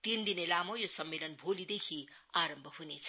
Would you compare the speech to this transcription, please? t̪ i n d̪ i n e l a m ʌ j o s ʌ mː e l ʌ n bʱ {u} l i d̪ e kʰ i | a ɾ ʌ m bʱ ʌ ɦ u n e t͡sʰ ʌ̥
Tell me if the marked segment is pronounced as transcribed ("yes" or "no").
no